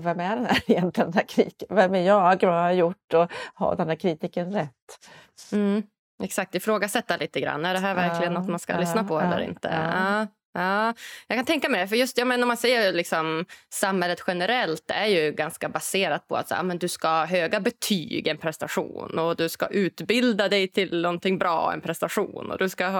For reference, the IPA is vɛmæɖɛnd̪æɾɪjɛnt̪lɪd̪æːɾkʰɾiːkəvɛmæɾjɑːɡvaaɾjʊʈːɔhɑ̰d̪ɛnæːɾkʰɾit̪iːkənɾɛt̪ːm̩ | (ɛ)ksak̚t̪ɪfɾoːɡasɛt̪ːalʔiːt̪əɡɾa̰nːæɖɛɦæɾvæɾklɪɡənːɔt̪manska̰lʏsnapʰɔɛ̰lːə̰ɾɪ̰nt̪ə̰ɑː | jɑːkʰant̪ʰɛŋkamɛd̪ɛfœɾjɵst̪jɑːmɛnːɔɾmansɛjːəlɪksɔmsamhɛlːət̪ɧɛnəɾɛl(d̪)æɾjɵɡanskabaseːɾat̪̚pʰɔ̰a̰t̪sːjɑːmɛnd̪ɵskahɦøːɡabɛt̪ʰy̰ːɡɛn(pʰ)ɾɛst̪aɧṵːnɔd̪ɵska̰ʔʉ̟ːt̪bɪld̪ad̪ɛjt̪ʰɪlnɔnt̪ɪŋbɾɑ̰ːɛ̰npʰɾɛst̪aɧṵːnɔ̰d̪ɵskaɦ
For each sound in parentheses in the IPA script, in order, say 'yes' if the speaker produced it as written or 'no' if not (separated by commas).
yes, no, yes